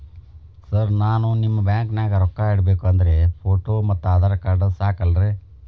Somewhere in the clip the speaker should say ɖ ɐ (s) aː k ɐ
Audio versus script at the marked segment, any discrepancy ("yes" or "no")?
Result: no